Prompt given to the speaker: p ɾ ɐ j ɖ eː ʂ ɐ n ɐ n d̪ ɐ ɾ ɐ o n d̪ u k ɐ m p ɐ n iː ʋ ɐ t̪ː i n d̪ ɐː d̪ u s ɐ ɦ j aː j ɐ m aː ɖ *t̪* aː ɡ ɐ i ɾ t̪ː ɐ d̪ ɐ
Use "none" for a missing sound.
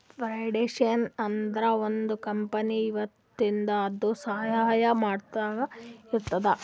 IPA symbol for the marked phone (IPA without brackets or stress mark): t̪